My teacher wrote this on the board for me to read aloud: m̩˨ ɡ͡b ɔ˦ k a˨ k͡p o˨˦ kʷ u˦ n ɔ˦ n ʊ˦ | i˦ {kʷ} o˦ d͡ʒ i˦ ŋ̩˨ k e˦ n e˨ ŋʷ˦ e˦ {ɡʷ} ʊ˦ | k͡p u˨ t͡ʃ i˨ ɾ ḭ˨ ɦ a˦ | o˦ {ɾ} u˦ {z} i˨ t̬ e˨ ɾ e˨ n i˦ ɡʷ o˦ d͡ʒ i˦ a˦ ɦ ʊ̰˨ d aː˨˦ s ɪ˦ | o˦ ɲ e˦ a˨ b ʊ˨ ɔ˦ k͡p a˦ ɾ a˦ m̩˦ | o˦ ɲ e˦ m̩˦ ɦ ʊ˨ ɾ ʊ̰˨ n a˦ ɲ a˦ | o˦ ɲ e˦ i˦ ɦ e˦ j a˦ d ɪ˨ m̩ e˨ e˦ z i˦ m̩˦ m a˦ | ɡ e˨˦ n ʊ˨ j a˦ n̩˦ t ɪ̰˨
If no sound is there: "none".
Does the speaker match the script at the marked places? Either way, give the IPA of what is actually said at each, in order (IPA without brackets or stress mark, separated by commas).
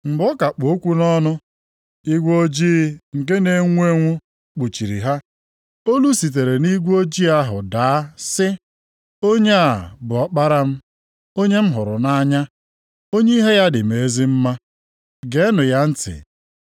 ɡʷ, ŋʷ, l, s